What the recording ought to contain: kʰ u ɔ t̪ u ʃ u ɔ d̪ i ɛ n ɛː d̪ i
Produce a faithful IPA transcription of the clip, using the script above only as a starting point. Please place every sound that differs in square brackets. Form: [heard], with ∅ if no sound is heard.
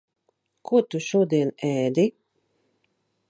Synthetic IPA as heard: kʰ u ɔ t̪ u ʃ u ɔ d̪ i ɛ n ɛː d̪ i